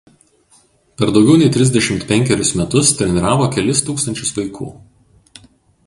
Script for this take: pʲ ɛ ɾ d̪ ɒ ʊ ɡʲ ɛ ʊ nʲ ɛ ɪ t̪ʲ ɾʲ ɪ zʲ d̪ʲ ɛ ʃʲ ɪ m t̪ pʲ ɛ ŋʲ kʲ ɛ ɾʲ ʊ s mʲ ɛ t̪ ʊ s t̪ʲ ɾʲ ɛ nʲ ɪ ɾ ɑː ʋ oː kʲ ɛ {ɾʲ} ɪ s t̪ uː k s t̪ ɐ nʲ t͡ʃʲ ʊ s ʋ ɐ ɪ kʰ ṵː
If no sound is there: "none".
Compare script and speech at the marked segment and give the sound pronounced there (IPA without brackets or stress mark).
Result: lʲ